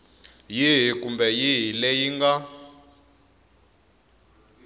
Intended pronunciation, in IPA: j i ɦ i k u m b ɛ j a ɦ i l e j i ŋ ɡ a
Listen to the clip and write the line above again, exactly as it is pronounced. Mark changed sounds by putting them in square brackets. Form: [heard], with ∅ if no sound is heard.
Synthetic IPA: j i ɦ i k u m b ɛ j [i] ɦ i l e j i ŋ ɡ a